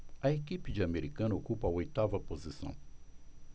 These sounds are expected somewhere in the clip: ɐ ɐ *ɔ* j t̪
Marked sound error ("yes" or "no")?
yes